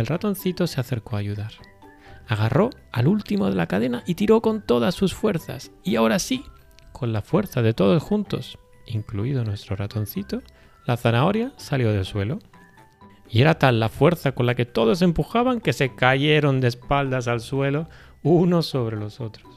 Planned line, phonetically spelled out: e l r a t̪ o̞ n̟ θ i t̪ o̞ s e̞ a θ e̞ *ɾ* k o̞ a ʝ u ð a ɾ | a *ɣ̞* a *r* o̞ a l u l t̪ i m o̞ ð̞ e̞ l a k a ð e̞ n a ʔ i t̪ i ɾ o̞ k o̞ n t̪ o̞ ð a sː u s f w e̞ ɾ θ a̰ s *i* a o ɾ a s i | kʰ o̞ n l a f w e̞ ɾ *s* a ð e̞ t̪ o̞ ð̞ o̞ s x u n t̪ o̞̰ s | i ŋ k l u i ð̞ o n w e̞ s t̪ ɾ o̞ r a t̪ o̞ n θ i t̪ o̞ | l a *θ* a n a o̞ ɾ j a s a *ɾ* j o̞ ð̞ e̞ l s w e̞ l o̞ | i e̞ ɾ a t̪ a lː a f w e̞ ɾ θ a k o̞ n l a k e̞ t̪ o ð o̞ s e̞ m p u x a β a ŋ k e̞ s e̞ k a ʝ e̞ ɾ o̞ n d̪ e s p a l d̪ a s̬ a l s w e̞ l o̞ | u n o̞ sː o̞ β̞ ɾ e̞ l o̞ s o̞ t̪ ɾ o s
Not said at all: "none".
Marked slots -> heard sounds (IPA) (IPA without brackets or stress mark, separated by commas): ɾ, ɣ̞, r, i, θ, θ, l